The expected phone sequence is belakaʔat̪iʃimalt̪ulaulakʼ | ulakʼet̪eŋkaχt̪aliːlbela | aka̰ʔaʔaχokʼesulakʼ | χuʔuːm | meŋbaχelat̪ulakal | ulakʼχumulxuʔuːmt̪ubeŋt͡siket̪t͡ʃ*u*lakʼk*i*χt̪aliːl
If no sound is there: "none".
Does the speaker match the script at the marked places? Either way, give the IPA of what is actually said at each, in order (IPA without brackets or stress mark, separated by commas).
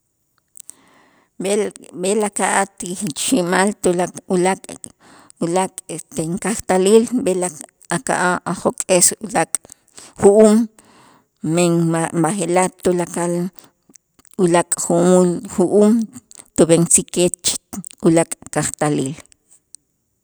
u, a